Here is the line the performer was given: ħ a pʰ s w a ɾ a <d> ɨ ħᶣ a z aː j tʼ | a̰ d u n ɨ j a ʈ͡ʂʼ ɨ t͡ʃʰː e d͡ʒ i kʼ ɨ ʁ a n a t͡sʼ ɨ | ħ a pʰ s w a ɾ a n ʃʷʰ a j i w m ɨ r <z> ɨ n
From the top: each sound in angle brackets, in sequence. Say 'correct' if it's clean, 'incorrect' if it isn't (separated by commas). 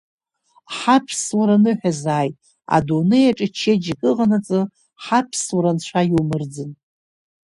incorrect, incorrect